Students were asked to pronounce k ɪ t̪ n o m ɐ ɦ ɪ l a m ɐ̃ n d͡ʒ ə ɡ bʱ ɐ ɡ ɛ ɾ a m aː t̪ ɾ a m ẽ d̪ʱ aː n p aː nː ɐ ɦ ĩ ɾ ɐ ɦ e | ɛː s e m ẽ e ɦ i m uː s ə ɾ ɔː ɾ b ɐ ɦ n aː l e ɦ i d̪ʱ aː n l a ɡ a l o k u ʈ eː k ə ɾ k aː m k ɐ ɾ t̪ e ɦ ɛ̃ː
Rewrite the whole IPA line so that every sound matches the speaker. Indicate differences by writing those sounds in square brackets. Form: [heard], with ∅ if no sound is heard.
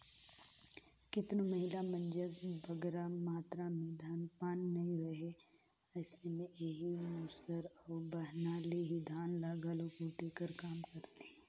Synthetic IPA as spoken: k ɪ t̪ n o m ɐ ɦ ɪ l a m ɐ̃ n d͡ʒ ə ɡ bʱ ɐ ɡ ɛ ɾ a m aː t̪ ɾ a m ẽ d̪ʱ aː n p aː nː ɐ ɦ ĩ ɾ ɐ ɦ e | ɛː s e m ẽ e ɦ i m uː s ə ɾ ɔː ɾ b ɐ ɦ n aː l e ɦ i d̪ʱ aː n l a ɡ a l o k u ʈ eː k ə ɾ k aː m k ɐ ɾ t̪ e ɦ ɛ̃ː